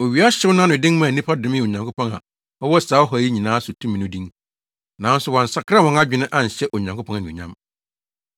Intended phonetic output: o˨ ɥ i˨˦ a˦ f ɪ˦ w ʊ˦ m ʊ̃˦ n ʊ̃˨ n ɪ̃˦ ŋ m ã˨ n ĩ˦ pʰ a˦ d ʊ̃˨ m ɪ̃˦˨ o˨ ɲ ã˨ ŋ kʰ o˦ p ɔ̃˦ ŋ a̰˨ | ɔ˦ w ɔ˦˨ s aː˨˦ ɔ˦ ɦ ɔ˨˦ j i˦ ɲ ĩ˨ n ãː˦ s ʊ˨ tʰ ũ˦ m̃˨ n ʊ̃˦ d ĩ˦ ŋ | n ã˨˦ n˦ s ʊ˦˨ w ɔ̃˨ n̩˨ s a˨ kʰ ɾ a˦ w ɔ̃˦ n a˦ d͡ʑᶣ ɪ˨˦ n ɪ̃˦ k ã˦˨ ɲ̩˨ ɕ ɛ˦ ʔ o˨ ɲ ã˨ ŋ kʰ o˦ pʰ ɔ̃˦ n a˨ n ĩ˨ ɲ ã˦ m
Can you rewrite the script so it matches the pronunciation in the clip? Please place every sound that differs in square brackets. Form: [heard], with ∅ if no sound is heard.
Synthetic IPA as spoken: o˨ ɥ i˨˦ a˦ [ɕ] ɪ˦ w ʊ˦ [n] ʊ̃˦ n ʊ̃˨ [d] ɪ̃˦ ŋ m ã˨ n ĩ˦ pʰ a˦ d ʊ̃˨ m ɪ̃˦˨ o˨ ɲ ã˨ ŋ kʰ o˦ p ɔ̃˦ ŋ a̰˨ | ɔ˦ w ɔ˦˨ s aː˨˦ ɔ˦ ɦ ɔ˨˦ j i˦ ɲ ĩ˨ n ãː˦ s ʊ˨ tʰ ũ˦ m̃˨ n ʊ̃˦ d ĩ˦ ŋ | n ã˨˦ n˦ s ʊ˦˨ w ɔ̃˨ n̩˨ s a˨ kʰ ɾ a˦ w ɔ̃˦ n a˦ d͡ʑᶣ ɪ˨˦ n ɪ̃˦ [ʔ] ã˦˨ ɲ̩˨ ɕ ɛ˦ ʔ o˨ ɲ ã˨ ŋ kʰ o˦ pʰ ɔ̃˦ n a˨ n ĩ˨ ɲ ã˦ m